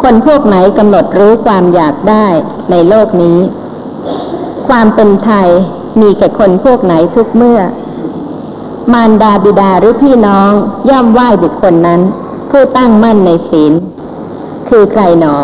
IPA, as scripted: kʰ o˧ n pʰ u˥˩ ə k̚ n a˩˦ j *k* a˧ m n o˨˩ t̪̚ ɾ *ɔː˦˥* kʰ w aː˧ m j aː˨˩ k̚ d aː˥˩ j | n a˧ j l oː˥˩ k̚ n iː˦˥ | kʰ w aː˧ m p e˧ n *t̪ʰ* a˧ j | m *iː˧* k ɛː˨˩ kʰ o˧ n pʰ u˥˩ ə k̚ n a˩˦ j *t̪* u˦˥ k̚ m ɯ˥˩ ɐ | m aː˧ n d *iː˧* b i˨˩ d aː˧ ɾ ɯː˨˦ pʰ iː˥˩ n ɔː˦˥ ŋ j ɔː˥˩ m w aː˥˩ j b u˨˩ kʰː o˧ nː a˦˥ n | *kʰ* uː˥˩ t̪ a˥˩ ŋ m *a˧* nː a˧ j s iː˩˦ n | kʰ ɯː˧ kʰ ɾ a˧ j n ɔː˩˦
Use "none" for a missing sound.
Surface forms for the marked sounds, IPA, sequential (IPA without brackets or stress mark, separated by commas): k, uː˦˥, t̪ʰ, iː˧, t̪ʰ, aː˧, pʰ, a˥˩